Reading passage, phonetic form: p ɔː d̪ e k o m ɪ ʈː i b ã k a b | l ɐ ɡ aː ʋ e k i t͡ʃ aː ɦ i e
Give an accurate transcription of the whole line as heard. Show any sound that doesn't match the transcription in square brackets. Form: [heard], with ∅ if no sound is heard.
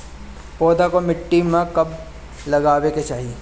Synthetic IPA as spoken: p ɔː d̪ [a] k o m ɪ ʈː i [m] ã k [ɐ] b | l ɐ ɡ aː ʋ e k [e] t͡ʃ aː ɦ i e